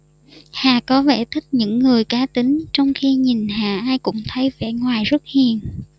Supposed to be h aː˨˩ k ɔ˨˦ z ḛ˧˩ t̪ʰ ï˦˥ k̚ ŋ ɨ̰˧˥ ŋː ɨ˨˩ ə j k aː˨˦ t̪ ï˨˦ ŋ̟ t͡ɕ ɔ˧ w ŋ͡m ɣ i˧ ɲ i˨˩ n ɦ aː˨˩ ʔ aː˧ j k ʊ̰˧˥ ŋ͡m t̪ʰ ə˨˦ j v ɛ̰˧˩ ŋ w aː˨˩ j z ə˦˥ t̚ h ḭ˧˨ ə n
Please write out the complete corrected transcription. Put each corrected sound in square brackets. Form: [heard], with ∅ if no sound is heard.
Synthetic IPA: h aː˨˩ k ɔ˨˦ [v] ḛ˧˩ t̪ʰ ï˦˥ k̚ [ɲ] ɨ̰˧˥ ŋː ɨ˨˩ ə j k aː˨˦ t̪ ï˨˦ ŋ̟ t͡ɕ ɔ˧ w ŋ͡m [x] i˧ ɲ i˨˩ n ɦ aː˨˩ ʔ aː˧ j k ʊ̰˧˥ ŋ͡m t̪ʰ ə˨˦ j v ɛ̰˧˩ ŋ w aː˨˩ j z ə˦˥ t̚ h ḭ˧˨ ə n